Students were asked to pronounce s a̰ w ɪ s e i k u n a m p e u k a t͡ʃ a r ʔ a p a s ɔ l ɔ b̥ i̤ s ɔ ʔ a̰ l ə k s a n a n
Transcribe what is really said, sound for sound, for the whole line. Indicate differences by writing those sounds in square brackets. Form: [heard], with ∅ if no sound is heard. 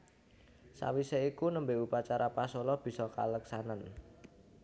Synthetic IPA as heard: s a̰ w [i] s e i k u n [ə] m [b] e u [p] a t͡ʃ a [ɾ] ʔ a p a s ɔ l ɔ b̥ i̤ s ɔ [k] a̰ l ə k s a n a n